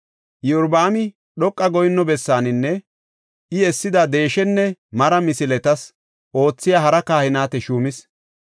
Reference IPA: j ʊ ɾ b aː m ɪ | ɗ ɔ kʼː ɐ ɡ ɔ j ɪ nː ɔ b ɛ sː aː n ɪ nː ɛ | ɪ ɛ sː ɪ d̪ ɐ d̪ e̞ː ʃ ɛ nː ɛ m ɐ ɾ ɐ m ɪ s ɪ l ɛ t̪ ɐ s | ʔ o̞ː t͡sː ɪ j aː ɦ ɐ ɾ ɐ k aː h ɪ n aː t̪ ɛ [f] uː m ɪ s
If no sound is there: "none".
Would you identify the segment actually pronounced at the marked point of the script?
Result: ʃ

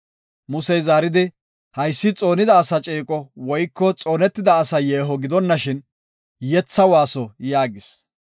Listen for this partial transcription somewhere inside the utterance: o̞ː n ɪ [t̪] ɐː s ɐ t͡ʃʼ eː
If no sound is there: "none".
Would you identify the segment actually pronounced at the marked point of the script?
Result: d̪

